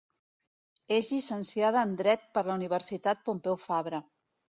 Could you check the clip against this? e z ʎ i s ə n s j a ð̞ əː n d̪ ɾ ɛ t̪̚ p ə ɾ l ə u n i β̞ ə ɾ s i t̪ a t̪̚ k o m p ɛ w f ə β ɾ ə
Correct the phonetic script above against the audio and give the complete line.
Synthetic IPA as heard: e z ʎ i s ə n s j a ð̞ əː n d̪ ɾ ɛ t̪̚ p ə ɾ l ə u n i β̞ ə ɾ s i t̪ a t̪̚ p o m p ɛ w f a β ɾ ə